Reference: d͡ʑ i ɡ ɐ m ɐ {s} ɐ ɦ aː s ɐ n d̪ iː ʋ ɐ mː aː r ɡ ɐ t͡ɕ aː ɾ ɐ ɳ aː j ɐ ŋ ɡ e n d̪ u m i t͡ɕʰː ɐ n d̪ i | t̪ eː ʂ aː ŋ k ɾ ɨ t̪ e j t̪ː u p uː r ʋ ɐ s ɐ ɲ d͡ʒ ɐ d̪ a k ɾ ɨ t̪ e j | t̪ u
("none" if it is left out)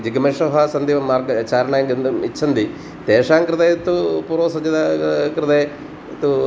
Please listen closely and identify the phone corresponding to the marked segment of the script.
ʂ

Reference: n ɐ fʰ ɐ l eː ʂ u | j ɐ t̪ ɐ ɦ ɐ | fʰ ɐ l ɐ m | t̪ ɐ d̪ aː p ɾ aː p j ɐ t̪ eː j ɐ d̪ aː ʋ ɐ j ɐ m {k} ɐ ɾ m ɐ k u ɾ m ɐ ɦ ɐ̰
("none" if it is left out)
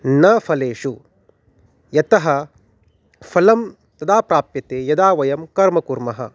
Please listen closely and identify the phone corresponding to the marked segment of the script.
k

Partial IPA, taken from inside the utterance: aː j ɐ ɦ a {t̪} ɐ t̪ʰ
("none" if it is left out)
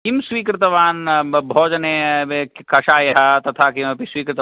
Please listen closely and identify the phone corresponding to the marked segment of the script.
t̪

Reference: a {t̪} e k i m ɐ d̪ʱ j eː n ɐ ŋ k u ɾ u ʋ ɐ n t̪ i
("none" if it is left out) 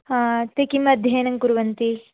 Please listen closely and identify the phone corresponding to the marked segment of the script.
t̪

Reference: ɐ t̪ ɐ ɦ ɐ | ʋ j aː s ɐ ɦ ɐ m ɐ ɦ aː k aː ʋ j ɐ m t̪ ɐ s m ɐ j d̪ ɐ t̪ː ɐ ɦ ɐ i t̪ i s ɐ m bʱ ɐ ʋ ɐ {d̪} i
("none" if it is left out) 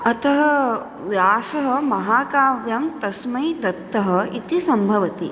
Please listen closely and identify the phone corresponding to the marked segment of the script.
t̪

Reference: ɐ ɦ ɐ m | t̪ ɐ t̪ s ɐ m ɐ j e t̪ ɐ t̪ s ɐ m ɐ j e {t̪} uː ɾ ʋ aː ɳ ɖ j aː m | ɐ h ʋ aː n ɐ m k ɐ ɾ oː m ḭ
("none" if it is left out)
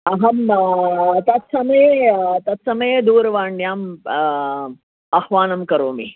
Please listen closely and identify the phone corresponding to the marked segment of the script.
d̪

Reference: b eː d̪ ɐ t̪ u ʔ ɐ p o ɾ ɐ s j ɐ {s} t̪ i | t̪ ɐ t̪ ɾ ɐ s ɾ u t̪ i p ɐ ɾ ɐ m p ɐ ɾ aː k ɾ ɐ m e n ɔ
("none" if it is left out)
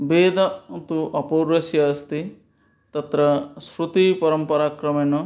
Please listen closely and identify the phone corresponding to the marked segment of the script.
s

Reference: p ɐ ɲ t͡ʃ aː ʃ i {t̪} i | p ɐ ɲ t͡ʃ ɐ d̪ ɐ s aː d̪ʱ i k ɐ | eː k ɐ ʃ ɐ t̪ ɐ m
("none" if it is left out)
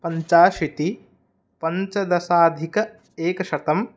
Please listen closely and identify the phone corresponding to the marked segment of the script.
t̪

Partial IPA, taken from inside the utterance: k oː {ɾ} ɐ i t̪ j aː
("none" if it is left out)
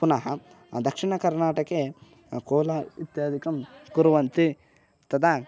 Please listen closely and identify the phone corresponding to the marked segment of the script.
l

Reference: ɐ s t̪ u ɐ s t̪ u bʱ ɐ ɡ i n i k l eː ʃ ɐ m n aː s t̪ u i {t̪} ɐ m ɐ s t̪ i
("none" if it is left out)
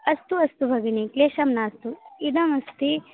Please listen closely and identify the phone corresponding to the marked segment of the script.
d̪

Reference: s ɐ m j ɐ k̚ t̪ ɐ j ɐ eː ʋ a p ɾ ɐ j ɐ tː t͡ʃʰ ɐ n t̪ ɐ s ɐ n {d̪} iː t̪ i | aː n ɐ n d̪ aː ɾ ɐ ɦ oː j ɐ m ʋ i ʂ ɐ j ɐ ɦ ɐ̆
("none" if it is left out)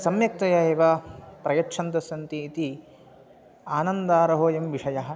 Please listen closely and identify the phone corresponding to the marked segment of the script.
t̪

